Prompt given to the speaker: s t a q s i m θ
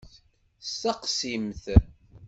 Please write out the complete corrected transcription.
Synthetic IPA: s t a q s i m θ